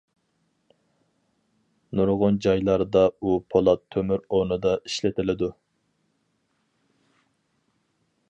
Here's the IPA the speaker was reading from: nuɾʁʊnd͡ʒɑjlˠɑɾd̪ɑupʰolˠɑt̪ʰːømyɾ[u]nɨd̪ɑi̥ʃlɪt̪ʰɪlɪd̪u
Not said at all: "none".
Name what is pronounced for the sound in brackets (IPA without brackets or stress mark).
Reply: o